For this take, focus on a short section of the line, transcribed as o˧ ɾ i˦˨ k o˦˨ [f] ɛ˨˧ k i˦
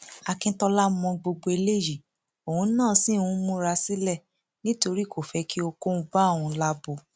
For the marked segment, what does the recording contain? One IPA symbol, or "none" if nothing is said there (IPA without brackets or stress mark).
f